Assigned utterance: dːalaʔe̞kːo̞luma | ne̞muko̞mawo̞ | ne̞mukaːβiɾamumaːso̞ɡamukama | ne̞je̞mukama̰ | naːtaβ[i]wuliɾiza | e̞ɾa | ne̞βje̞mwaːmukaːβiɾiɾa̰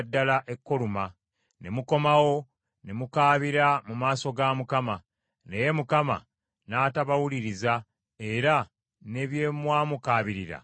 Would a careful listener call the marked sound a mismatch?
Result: yes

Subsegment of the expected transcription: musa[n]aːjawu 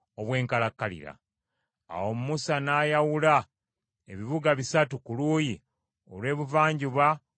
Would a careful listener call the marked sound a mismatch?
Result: no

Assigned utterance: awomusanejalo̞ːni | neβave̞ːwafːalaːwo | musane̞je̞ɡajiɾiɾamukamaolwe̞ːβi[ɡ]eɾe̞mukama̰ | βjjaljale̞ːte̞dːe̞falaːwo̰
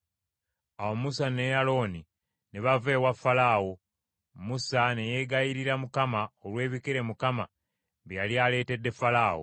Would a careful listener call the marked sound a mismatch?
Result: yes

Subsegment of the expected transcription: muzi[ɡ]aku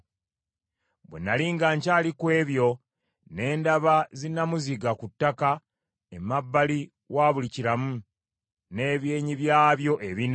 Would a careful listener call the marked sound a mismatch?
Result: no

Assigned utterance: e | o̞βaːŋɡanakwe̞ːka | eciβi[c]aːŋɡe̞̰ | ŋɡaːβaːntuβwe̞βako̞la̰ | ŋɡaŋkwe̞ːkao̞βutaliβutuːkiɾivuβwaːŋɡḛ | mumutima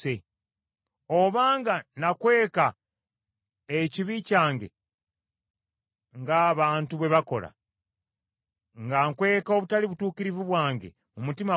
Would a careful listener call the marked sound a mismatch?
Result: no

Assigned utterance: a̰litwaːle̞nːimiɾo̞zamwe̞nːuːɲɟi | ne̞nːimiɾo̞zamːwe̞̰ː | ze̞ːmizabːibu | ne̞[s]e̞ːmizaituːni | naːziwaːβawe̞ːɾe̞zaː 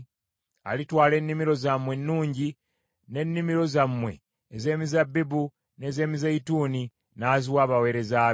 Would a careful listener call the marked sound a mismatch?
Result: yes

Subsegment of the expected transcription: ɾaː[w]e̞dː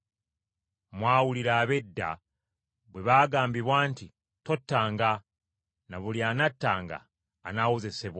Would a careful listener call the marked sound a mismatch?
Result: yes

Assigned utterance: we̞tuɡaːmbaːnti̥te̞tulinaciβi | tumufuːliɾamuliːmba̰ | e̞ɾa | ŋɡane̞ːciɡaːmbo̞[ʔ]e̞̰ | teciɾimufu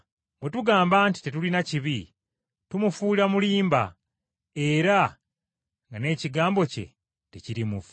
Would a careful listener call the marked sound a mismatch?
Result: yes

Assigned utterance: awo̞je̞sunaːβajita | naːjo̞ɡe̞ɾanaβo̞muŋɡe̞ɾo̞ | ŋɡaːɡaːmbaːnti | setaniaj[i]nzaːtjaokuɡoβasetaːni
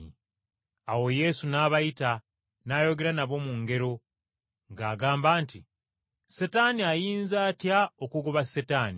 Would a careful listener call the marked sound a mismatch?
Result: yes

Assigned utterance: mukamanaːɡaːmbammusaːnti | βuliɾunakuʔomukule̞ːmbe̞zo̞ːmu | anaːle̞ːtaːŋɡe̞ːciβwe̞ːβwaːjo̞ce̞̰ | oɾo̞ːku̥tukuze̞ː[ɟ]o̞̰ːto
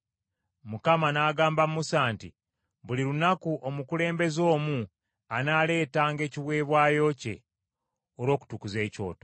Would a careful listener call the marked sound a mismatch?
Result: yes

